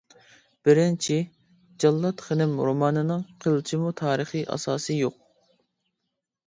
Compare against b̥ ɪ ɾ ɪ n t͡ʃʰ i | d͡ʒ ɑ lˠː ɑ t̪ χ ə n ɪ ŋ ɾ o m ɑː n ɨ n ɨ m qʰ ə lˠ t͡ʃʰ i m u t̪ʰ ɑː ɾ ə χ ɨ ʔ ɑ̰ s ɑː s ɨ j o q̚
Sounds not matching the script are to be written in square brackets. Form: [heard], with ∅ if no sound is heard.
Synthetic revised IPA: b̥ ɪ ɾ ɪ n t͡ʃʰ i | d͡ʒ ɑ lˠː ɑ t̪ χ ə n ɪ [m] ɾ o m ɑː n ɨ n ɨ [ŋ] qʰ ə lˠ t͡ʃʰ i m u t̪ʰ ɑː ɾ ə χ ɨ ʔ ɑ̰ s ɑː s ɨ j o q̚